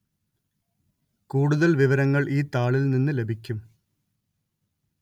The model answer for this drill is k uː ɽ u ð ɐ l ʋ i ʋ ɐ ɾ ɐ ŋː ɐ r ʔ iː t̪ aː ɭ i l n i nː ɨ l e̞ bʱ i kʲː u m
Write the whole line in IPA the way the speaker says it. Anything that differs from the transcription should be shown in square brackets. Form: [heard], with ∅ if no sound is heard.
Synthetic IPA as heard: k uː ɽ u ð ɐ l ʋ i ʋ ɐ ɾ ɐ ŋː ɐ [ɭ] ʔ iː t̪ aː ɭ i l n i nː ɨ l e̞ bʱ i kʲː u m

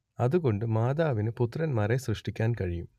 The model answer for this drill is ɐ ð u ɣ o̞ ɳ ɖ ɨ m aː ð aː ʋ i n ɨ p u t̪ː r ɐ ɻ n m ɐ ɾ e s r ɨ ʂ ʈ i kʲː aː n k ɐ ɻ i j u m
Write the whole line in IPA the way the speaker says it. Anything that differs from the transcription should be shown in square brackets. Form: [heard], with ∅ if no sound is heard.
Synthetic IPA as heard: ɐ ð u ɣ o̞ ɳ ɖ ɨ m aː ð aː ʋ i n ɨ p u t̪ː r ɐ [∅] n m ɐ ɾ e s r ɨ ʂ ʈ i kʲː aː n k ɐ ɻ i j u m

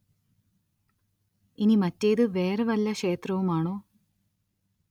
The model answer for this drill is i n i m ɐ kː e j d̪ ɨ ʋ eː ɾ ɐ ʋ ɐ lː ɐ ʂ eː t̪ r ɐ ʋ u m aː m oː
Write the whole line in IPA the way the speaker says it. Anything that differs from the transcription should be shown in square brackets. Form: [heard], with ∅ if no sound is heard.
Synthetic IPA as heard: i n i m ɐ [tː] e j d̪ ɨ ʋ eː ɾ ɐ ʋ ɐ lː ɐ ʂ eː t̪ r ɐ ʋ u m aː [ɳ] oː

